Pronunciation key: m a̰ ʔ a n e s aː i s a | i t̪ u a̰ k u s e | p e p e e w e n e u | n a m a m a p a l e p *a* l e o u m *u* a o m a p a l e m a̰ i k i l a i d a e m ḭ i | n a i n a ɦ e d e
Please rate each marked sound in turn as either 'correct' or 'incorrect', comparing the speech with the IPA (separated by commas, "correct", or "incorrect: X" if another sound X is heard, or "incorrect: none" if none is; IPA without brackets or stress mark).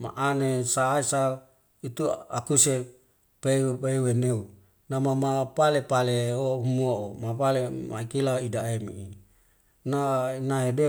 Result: correct, correct